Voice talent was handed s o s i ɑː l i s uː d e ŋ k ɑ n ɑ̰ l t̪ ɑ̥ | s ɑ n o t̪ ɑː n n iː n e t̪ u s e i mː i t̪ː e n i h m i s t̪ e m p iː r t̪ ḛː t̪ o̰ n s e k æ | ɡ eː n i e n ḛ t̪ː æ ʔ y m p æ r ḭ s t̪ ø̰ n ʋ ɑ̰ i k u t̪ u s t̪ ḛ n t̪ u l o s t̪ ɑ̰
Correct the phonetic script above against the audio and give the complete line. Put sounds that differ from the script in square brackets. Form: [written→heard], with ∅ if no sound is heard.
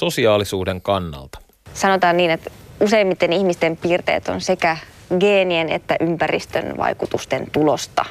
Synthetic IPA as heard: s o s i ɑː l i s uː d e ŋ k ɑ [n→nː] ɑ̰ l t̪ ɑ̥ | s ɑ n o t̪ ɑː n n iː n e t̪ u s e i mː i t̪ː e n i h m i s t̪ e m p iː r t̪ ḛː t̪ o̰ n s e k æ | ɡ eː n i e n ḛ t̪ː æ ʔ y m p æ r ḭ s t̪ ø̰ n ʋ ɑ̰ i k u t̪ u s t̪ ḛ n t̪ u l o s t̪ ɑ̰